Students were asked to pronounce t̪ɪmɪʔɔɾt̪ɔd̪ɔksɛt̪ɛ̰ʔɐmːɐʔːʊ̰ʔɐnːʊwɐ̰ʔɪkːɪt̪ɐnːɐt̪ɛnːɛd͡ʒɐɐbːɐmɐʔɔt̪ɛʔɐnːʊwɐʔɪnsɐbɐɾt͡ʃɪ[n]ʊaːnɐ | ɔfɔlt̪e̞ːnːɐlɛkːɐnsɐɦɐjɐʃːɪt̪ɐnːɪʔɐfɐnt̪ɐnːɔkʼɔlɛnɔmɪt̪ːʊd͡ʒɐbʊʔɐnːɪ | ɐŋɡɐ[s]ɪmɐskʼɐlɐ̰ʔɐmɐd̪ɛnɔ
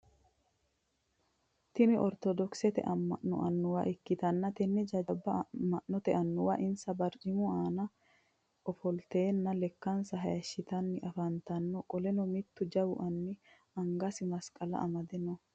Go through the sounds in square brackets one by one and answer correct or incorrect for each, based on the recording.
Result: incorrect: m, correct

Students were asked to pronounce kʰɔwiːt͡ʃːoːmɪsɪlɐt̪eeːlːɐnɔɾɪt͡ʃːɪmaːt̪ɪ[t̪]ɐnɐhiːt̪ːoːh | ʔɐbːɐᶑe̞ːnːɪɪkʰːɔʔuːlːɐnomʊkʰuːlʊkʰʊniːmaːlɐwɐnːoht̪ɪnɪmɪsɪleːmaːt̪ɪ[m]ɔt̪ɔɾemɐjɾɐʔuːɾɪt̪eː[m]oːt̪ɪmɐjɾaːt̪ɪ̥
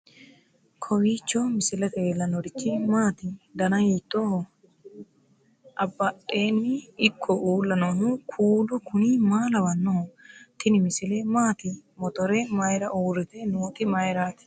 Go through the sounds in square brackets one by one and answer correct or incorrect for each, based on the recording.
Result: incorrect: d̪, correct, incorrect: n

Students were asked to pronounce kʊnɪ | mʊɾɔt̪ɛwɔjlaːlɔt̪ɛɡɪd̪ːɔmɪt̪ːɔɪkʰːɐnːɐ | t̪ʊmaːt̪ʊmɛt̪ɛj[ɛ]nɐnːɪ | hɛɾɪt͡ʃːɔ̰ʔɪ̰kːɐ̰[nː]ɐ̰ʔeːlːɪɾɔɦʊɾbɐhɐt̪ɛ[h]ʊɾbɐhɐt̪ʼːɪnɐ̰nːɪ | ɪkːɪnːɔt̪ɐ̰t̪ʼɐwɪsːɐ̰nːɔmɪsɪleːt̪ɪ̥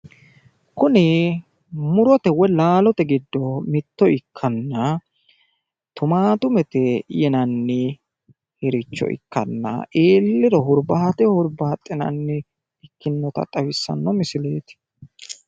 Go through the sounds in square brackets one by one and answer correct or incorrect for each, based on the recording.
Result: correct, correct, correct

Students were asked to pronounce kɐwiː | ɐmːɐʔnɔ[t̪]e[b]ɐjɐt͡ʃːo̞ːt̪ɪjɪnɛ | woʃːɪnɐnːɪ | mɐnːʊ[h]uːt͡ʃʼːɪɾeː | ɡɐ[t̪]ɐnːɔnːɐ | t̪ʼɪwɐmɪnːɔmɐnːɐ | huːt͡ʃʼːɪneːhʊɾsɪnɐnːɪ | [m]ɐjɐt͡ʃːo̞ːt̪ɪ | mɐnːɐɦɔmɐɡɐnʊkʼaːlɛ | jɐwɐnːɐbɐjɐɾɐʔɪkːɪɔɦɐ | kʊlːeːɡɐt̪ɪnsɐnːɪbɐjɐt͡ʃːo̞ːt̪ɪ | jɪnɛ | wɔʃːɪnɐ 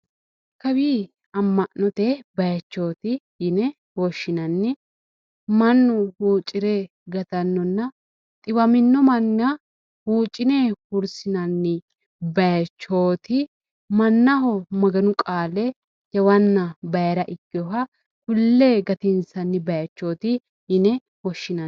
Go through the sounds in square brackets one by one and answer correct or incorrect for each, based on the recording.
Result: correct, correct, correct, correct, incorrect: b

